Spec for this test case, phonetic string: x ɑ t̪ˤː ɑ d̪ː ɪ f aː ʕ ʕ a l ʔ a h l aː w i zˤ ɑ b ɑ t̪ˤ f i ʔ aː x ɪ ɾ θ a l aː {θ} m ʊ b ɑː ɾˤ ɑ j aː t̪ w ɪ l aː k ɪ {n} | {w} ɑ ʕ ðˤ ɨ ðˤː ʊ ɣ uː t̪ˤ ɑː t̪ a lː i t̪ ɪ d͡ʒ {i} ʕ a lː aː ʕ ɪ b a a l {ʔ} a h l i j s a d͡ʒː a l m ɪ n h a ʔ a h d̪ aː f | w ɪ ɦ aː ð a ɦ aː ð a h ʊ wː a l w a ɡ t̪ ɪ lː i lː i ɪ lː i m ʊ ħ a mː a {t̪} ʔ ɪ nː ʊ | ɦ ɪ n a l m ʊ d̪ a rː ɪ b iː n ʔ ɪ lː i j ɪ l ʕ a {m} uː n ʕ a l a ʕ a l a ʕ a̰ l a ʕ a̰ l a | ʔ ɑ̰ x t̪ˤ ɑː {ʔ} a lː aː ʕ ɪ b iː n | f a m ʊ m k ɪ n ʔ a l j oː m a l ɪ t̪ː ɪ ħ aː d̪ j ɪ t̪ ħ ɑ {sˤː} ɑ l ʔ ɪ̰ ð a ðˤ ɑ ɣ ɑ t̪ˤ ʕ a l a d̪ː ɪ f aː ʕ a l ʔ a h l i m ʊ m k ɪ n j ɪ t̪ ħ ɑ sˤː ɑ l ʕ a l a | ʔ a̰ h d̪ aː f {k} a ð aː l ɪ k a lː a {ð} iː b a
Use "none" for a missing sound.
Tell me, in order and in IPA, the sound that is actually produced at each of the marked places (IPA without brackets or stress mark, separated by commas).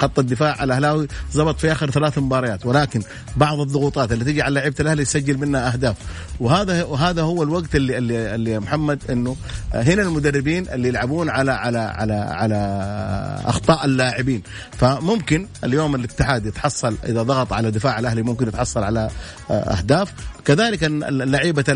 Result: θ, n, b, i, ʔ, d̪, b, ʔ, sˤː, k, ʕ